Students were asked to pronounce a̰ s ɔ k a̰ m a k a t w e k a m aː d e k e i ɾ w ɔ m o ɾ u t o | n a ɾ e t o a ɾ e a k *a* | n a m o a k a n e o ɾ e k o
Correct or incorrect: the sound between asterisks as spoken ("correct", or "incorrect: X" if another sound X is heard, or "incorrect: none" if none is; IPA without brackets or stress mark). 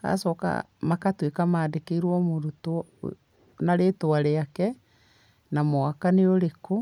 incorrect: ɛ